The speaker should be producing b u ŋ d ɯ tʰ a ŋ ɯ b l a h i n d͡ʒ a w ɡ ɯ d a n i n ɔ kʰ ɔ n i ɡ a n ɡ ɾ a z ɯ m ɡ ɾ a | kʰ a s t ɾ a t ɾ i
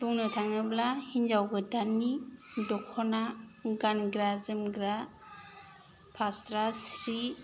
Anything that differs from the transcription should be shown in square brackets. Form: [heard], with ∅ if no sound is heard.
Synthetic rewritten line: b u ŋ [n] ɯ tʰ a ŋ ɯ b l a h i n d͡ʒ a w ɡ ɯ d a n i [d] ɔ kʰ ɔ n [a] ɡ a n ɡ ɾ a z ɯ m ɡ ɾ a | [pʰ] a s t ɾ a [s] ɾ i